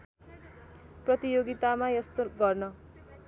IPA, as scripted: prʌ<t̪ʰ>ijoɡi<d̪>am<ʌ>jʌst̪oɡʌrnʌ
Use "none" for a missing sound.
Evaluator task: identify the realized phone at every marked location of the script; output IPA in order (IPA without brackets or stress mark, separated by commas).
t̪, t̪, a